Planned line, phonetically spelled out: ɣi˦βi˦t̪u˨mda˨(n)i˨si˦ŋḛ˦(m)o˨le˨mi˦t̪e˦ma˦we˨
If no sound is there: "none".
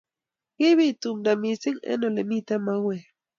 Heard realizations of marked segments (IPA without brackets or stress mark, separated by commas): m, n